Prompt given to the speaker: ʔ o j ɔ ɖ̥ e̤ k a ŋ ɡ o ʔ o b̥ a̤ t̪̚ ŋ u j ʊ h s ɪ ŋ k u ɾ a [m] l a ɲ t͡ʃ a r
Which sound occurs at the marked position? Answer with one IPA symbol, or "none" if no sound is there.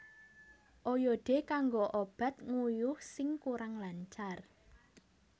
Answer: ŋ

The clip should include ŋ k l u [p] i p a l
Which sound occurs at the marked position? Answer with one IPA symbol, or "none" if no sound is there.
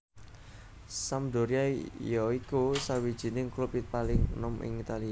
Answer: p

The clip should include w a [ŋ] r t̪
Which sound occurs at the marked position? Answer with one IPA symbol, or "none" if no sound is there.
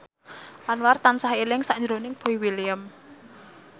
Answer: none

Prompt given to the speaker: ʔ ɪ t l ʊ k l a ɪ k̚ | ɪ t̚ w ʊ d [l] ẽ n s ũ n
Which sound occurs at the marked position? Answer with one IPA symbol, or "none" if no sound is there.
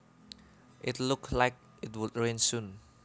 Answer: ɹ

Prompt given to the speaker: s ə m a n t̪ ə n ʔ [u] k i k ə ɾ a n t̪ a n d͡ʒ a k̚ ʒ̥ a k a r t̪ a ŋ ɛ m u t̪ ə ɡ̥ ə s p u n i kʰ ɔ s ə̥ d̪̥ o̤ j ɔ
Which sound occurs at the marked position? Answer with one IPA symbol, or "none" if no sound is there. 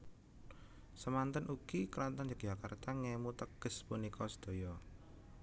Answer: u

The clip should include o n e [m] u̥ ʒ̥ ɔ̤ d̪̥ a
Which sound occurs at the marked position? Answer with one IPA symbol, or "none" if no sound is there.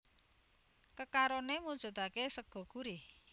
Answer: m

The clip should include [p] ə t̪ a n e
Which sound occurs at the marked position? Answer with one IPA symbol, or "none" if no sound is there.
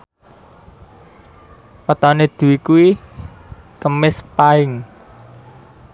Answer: p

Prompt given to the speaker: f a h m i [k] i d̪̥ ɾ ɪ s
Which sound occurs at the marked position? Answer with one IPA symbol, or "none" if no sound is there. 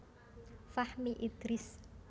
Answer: ʔ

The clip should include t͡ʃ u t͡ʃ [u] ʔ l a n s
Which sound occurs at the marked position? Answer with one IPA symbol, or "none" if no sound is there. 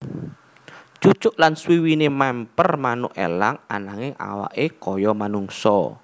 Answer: ʊ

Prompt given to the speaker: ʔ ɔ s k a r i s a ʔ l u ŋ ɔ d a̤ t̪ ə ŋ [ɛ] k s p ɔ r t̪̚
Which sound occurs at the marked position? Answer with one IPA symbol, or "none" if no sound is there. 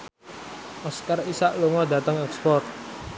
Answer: ɛ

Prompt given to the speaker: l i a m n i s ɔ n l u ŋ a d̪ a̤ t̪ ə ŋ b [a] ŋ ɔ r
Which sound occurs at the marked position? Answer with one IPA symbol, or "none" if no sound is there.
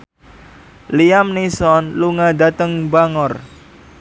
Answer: a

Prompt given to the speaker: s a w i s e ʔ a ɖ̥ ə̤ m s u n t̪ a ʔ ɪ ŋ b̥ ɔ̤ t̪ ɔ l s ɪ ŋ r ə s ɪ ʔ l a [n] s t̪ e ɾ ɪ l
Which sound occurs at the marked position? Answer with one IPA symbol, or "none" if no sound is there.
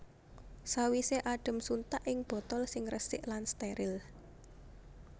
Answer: n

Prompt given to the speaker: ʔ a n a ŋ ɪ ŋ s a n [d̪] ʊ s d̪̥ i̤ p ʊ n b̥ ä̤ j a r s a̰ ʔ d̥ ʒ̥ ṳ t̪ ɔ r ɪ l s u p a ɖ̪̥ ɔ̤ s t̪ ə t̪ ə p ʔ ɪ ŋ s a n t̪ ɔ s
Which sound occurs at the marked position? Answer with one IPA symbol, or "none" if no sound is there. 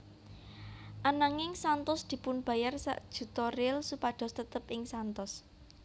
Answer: t̪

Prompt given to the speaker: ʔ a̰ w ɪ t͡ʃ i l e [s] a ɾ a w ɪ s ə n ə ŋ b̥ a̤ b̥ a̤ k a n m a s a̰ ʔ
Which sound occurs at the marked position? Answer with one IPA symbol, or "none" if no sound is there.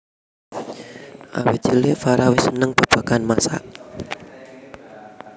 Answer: f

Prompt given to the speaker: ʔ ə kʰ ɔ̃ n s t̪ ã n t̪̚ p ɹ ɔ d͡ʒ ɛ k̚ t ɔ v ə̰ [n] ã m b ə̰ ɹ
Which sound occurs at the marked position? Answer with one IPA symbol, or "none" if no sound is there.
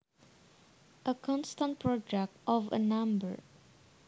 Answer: n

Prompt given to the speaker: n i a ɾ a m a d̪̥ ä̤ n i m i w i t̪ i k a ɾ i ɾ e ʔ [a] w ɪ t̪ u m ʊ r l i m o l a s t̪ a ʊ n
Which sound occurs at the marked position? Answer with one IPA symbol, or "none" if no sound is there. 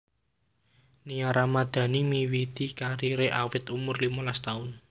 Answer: a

